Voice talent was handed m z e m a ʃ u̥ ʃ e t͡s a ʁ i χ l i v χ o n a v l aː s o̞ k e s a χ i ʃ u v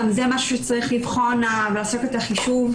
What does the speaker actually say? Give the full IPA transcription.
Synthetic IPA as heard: m z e m a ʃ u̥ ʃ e t͡s a ʁ i χ l i v χ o n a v l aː s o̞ k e t a χ i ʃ u v